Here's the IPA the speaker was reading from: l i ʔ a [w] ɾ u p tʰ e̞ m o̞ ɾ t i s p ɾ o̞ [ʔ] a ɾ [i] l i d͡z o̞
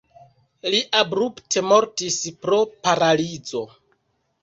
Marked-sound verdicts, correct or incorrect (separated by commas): incorrect, incorrect, incorrect